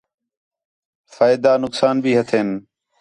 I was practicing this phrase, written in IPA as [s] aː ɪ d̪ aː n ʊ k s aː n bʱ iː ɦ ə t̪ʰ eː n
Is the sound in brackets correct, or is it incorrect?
incorrect: f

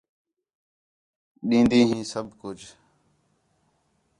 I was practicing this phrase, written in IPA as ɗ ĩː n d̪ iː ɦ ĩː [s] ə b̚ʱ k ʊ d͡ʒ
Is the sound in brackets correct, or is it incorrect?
correct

